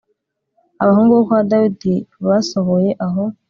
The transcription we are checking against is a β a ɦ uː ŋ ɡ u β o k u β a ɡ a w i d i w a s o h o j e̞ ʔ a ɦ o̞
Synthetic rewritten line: a β a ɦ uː ŋ ɡ u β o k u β a d a w i d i β a s o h o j e̞ ʔ a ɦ o̞